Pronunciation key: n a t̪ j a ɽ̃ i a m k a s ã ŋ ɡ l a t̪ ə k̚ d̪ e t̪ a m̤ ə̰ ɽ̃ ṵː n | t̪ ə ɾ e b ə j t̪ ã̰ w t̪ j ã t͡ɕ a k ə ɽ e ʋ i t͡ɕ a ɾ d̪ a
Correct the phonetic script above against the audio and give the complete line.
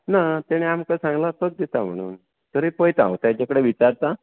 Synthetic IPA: n a t̪ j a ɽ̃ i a m k a s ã ŋ ɡ l a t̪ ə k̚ d̪ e t̪ a m̤ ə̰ ɽ̃ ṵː n | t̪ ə ɾ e p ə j t̪ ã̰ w t̪ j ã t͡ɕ a k ə ɽ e ʋ i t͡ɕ a ɾ t̪ a